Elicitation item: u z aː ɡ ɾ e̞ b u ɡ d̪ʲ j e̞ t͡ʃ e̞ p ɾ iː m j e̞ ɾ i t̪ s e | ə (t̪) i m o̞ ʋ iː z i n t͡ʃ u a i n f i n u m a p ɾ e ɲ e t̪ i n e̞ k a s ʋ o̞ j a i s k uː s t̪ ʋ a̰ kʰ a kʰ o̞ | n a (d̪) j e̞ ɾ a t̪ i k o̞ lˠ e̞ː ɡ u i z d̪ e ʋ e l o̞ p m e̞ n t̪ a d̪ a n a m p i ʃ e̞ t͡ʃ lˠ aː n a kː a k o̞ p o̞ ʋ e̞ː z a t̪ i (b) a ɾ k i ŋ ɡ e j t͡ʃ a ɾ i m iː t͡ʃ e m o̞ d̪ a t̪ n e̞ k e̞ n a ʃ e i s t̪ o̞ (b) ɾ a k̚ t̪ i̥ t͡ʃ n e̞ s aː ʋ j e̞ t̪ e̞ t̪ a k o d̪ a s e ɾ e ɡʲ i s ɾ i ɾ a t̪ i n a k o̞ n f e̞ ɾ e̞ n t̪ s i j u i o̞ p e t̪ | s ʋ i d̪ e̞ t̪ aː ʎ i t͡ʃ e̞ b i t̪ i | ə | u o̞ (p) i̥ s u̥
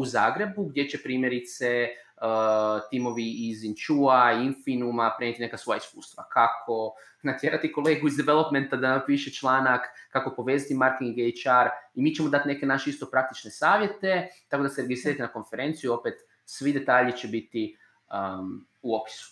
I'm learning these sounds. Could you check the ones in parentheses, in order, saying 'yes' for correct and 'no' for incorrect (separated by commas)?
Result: yes, no, no, no, yes